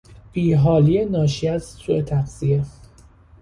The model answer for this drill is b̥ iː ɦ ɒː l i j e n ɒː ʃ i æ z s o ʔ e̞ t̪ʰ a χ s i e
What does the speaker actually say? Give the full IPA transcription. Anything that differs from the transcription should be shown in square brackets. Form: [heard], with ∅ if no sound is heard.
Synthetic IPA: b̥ iː ɦ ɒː l i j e n ɒː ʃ i æ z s [u] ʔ e̞ t̪ʰ [æ] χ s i e